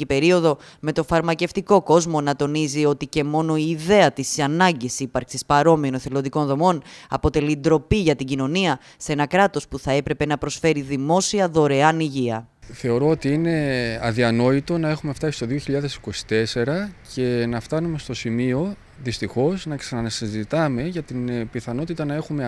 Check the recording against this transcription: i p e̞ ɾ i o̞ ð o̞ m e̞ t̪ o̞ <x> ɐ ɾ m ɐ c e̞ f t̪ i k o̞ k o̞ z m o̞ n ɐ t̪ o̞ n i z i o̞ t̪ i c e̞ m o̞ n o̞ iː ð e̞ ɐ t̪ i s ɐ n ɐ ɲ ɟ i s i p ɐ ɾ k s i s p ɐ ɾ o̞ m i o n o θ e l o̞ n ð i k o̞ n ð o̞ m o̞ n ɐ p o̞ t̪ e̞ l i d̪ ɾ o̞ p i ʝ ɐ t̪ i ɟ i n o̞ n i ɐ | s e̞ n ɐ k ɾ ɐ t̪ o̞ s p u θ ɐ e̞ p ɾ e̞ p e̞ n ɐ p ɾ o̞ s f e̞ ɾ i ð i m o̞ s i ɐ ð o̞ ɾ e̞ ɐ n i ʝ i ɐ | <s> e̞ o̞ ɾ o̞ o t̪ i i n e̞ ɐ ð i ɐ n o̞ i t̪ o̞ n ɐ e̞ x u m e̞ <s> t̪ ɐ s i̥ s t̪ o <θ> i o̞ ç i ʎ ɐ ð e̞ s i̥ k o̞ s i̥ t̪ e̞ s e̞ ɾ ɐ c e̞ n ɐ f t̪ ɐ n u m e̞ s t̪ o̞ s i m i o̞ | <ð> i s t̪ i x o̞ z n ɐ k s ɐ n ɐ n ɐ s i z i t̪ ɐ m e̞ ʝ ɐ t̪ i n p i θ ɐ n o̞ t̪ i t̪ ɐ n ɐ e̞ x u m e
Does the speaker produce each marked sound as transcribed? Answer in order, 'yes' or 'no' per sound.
no, no, no, no, yes

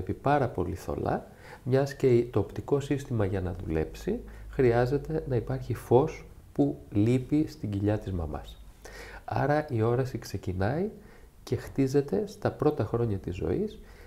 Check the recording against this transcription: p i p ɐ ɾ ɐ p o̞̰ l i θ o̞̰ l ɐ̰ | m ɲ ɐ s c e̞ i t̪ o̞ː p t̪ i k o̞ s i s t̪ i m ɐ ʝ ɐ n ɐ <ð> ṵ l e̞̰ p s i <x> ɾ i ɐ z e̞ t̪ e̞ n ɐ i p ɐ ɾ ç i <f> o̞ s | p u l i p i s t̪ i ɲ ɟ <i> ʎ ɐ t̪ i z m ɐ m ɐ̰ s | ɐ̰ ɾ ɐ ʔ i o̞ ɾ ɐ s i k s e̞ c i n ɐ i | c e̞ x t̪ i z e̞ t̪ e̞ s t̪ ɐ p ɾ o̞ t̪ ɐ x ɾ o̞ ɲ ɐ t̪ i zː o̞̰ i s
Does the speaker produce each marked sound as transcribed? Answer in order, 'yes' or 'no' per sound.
yes, yes, yes, yes

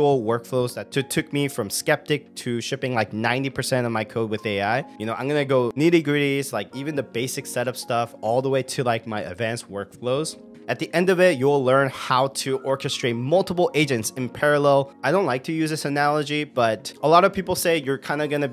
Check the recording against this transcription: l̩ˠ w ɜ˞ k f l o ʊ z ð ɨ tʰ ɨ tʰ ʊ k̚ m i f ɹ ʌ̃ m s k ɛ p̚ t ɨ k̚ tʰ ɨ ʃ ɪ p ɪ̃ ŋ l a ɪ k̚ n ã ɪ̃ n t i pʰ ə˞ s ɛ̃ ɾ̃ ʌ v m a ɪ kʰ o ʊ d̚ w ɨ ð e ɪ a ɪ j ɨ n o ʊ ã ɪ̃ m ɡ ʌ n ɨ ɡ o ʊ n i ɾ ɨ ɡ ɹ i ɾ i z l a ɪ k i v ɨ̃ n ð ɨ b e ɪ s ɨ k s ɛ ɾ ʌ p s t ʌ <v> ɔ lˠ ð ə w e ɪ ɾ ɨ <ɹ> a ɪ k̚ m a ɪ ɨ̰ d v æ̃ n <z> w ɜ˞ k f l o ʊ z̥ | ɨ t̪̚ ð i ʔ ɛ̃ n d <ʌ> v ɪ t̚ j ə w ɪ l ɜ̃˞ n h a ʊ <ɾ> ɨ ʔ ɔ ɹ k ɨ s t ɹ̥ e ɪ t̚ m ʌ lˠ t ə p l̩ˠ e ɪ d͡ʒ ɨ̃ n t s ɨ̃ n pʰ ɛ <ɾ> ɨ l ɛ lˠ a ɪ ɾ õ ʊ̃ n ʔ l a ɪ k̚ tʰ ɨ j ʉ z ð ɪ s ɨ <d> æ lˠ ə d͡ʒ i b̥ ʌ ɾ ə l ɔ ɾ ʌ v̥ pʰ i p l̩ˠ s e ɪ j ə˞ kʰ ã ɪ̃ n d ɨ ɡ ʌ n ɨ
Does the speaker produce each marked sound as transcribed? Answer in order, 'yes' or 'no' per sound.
no, no, no, yes, yes, no, no

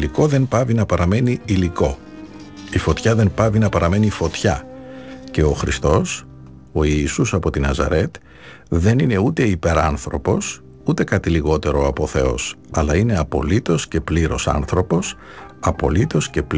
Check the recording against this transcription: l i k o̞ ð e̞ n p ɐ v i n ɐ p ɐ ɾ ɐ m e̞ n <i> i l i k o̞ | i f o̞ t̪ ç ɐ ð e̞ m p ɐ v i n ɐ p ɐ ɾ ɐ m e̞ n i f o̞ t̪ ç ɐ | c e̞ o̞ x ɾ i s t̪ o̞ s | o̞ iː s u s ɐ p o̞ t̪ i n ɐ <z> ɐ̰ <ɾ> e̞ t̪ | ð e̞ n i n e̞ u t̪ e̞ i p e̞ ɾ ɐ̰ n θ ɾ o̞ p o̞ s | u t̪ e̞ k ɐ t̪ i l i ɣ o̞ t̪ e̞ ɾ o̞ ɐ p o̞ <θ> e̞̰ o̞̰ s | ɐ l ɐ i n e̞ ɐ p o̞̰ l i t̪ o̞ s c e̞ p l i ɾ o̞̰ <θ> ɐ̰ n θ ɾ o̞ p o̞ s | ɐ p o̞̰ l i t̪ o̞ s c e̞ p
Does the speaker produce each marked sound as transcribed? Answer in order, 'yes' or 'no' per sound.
yes, yes, yes, yes, no

